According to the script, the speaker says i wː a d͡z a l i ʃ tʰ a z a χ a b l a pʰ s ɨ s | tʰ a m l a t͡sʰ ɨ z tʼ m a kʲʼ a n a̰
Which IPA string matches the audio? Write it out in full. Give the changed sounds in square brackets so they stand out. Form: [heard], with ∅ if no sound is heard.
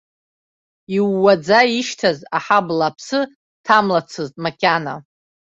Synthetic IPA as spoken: i wː a d͡z a [∅] i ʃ tʰ a z a [ħ] a b l a pʰ s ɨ [∅] | tʰ a m l a t͡sʰ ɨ z tʼ m a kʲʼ a n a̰